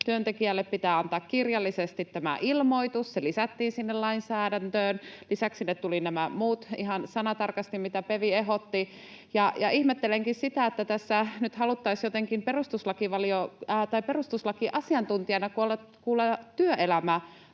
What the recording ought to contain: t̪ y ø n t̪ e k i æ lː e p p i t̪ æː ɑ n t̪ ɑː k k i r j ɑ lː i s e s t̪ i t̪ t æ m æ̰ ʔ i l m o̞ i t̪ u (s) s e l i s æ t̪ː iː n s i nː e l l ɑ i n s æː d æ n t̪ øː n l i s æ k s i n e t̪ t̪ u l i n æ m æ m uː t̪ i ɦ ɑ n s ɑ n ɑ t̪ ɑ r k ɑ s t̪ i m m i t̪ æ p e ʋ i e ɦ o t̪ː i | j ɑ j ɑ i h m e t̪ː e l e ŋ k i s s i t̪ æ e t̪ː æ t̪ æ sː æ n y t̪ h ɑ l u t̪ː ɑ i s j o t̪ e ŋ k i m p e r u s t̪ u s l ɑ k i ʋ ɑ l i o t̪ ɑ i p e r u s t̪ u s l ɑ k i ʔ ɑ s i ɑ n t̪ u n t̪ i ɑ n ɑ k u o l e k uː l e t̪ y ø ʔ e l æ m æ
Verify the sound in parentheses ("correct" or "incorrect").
correct